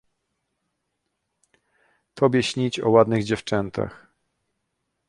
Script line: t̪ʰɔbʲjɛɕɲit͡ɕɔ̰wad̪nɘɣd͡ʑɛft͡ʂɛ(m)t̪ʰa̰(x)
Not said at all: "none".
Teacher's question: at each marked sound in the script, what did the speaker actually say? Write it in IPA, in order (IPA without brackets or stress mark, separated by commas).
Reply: n, x